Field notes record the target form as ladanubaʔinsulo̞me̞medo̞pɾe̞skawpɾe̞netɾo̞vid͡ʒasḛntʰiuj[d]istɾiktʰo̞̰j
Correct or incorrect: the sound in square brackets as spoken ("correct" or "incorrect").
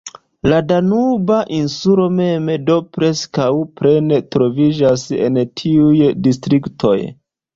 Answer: correct